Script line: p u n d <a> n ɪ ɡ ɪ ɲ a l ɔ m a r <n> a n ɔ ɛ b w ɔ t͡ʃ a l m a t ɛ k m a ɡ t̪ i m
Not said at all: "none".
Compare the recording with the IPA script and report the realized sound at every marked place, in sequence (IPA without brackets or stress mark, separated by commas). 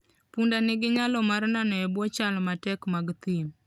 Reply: a, n